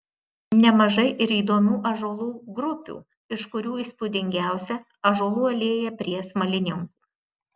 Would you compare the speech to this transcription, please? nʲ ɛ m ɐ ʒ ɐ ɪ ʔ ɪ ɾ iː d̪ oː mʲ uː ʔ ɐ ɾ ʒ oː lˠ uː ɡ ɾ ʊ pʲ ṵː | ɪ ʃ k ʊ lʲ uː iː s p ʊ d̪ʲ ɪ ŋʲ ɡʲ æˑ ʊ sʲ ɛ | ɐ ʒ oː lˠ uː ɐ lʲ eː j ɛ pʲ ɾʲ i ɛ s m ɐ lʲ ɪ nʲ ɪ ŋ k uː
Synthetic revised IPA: nʲ ɛ m ɐ ʒ ɐ ɪ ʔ ɪ ɾ iː d̪ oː mʲ uː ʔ ɐ ʒ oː lˠ uː ɡ ɾ ʊ pʲ ṵː | ɪ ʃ k ʊ ɾʲ uː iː s p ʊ d̪ʲ ɪ ŋʲ ɡʲ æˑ ʊ sʲ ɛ | ɐ ʒ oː lˠ uː ɐ lʲ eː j ɛ pʲ ɾʲ i ɛ s m ɐ lʲ ɪ nʲ ɪ ŋ k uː